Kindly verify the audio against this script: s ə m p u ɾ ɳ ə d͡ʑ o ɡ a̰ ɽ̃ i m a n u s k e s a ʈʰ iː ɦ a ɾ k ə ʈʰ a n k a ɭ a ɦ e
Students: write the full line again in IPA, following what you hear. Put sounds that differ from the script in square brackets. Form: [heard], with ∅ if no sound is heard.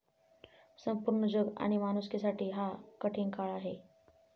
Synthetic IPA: s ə m p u ɾ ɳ ə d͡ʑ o ɡ a̰ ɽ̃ i m a n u s k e s a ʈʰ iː ɦ a [∅] k ə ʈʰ [i] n k a ɭ a ɦ e